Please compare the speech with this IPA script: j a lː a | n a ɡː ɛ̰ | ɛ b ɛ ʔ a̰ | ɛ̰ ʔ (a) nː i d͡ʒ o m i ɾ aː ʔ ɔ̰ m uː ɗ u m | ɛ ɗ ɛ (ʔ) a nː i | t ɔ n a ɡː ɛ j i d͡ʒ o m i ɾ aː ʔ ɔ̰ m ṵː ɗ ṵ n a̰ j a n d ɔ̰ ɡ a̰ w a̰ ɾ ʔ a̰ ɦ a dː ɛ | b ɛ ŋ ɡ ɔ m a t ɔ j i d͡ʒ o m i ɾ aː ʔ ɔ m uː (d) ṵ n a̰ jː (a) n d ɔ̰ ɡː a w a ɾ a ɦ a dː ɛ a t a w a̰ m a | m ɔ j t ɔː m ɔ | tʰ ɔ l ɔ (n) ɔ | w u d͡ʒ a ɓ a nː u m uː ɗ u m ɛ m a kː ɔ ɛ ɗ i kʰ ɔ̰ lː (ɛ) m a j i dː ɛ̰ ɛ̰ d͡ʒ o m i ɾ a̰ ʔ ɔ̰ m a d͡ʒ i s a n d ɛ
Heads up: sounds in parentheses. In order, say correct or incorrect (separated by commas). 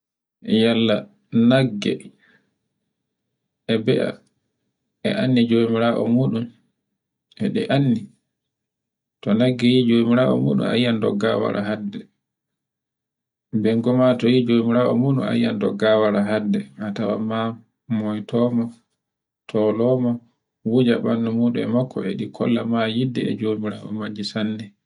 correct, correct, incorrect, correct, incorrect, incorrect